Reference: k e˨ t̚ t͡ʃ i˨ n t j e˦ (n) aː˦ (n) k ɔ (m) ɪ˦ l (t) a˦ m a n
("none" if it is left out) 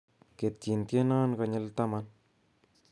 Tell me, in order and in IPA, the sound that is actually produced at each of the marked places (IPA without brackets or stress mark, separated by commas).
n, n, ɲ, t